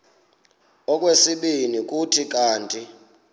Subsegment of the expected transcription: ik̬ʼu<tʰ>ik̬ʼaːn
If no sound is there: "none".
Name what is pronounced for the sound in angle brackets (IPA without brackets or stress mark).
tʰ